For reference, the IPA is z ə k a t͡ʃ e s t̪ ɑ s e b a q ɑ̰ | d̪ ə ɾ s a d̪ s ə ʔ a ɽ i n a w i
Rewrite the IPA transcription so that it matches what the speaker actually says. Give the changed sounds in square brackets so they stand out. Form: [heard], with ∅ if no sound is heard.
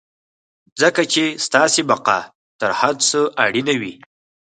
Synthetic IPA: z ə k a t͡ʃ e s t̪ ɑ s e b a q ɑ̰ | [t̪] ə ɾ [h] a d̪ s ə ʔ a ɽ i n a w i